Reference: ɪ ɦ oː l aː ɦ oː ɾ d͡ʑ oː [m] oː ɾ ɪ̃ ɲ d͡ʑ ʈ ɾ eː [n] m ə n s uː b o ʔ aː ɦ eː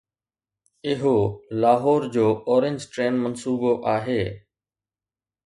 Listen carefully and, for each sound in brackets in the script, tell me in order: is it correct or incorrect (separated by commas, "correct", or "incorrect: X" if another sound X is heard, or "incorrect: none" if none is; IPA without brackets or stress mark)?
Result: incorrect: none, correct